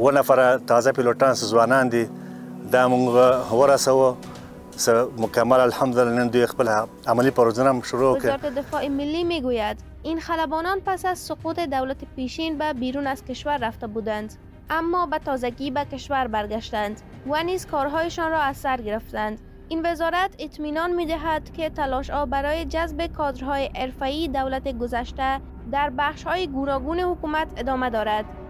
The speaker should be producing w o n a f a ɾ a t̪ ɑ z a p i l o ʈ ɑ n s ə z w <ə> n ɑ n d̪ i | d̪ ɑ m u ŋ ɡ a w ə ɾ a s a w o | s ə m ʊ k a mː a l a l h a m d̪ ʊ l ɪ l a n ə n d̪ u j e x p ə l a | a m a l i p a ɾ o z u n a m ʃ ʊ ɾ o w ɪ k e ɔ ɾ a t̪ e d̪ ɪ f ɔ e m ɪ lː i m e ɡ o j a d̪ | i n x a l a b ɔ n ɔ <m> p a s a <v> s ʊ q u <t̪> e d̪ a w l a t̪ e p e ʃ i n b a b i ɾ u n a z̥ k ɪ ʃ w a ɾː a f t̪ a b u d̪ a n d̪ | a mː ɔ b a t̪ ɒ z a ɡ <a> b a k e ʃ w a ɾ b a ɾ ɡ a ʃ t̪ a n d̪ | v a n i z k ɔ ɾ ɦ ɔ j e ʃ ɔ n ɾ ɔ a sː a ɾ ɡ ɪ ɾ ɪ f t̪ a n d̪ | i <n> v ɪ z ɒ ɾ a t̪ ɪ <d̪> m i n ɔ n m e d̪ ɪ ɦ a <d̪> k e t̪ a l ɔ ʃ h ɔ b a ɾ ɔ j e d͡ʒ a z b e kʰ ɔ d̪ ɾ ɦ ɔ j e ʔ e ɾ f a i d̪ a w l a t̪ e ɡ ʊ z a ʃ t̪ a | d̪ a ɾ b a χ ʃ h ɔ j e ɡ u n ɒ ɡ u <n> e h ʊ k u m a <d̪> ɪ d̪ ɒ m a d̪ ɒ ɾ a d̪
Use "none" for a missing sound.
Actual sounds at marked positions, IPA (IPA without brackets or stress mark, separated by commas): ɑ, n, z, t̪, i, n, t̪, d̪, n, t̪